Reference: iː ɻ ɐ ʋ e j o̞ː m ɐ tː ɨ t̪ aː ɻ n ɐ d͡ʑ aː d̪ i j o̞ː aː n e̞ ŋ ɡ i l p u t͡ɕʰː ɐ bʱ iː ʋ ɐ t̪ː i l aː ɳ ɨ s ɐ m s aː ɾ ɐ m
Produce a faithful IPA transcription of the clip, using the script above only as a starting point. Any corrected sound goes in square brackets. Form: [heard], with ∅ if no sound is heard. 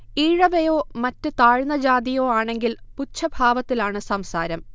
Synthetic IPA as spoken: iː ɻ ɐ ʋ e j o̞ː m ɐ tː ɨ t̪ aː ɻ n ɐ d͡ʑ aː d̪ i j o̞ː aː [ɳ] e̞ ŋ ɡ i l p u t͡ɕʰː ɐ bʱ [aː] ʋ ɐ t̪ː i l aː ɳ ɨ s ɐ m s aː ɾ ɐ m